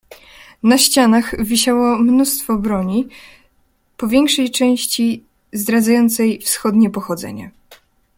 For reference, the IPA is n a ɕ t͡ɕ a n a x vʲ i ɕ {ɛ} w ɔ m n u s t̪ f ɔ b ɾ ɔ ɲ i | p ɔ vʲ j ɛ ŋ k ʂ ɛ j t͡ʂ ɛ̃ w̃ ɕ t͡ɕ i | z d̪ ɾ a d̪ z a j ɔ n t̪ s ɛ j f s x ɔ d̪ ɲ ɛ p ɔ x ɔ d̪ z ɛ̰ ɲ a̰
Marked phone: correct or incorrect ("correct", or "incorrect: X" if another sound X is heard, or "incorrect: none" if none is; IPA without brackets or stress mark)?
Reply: incorrect: a